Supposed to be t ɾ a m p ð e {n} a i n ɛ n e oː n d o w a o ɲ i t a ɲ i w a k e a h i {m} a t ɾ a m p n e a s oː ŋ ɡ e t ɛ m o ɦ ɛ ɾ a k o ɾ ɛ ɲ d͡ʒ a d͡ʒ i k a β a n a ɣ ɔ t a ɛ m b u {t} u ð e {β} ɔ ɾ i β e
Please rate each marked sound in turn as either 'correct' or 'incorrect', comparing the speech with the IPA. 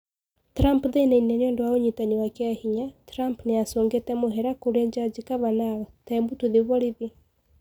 correct, incorrect: ɲ, correct, correct

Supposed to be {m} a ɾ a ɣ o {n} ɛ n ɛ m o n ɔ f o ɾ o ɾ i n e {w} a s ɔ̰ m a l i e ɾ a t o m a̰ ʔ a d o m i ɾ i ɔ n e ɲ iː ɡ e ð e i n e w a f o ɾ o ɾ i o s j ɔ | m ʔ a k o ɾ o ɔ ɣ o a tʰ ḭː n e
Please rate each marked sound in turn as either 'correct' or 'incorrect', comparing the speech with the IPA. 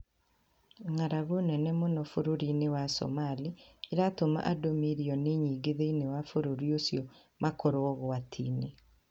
incorrect: ŋ, correct, correct

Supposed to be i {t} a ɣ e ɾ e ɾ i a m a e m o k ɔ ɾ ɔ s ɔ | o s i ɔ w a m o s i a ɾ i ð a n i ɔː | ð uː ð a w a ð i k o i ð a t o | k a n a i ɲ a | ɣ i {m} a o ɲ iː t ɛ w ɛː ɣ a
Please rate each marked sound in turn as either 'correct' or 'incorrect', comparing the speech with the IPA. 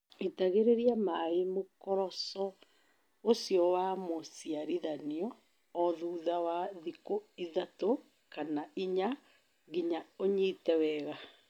correct, incorrect: ɲ

